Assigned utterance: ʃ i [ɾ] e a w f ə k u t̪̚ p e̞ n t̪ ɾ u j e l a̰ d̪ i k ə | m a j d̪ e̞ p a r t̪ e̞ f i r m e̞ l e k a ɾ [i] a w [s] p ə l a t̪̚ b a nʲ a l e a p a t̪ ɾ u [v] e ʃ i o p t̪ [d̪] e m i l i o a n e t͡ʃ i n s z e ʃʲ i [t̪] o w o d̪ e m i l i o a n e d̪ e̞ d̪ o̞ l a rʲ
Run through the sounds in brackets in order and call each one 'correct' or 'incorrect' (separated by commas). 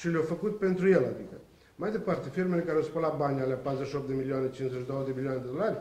incorrect, incorrect, correct, incorrect, correct, incorrect